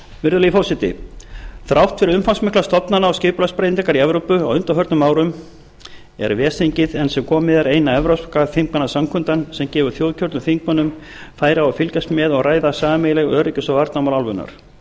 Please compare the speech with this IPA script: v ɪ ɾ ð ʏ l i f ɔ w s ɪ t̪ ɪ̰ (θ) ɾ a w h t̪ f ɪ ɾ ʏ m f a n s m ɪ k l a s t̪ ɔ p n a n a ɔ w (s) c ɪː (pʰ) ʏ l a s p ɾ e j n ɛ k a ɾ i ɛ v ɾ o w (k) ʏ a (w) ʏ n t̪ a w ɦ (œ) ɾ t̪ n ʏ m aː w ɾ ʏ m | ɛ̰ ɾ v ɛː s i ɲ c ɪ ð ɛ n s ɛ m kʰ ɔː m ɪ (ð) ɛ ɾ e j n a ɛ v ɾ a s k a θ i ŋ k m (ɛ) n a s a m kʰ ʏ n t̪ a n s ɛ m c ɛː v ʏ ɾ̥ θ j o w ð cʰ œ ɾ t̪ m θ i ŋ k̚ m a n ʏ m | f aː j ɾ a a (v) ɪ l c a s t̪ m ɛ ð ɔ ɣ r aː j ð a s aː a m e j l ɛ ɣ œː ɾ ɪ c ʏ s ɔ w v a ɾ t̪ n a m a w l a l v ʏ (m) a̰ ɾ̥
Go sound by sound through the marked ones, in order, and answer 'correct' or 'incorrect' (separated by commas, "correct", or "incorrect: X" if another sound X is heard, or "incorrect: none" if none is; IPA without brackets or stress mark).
correct, correct, incorrect: p, incorrect: p, correct, correct, correct, incorrect: a, incorrect: f, incorrect: n